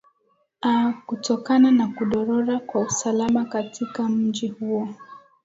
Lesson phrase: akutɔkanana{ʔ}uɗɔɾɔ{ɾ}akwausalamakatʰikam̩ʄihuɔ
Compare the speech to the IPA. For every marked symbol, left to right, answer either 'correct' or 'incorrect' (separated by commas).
incorrect, correct